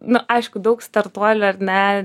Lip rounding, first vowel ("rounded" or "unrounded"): rounded